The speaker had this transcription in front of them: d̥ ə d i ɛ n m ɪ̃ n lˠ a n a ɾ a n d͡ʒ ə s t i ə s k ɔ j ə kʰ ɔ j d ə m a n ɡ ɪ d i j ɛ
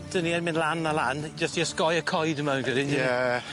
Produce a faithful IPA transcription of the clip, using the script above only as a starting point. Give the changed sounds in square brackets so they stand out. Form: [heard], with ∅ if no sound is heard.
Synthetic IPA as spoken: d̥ ə [n] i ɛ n m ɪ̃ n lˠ a n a [l] a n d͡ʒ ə s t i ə s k ɔ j ə kʰ ɔ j d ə m a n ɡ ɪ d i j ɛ